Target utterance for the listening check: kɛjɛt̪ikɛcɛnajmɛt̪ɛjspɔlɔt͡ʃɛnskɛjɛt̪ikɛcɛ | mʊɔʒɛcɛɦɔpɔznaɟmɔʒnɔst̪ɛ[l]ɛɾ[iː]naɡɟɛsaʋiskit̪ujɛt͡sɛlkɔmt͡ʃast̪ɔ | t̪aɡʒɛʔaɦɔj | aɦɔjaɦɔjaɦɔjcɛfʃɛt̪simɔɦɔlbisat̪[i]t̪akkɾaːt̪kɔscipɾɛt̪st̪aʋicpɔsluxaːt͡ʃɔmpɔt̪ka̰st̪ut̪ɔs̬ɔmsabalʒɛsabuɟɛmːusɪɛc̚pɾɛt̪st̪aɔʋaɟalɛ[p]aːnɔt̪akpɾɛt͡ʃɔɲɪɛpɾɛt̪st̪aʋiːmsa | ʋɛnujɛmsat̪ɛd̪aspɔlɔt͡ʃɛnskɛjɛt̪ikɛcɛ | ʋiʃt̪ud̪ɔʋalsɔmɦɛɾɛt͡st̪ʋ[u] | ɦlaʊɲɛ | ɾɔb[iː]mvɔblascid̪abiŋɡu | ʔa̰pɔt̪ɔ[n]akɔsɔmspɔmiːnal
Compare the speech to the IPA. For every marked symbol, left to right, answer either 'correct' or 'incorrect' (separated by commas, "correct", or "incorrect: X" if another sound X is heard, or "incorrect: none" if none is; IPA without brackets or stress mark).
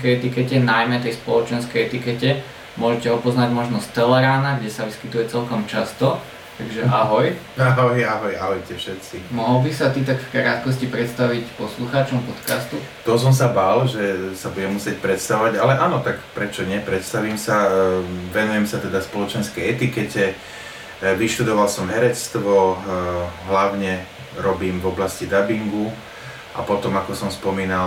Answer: correct, incorrect: aː, correct, incorrect: ʔ, incorrect: ɔ, correct, incorrect: m